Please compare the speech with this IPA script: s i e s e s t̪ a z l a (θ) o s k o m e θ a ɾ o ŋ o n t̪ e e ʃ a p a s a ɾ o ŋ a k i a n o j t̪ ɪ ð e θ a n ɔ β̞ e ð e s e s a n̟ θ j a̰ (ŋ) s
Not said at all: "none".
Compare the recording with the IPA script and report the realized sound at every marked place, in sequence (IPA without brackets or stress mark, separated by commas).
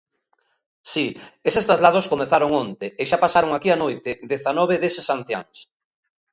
ð, ŋ